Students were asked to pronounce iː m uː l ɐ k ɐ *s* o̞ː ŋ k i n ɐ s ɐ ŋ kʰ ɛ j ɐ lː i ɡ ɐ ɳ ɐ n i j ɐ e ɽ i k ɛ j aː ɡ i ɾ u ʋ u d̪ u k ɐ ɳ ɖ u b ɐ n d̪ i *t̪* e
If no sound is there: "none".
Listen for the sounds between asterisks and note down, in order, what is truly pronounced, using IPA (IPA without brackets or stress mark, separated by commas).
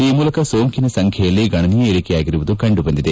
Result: s, d̪